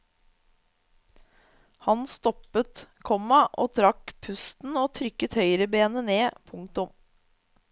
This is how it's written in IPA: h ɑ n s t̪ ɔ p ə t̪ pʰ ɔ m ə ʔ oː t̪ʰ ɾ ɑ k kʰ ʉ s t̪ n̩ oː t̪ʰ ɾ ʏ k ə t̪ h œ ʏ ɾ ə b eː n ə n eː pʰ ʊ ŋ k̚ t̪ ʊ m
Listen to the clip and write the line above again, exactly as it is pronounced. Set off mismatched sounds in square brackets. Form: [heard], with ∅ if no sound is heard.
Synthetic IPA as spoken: h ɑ n s t̪ ɔ p ə t̪ [kʰ] ɔ m [ɑ] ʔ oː t̪ʰ ɾ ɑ k [pʰ] ʉ s t̪ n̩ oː t̪ʰ ɾ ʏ k ə t̪ h œ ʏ ɾ ə b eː n ə n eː pʰ ʊ ŋ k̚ t̪ ʊ m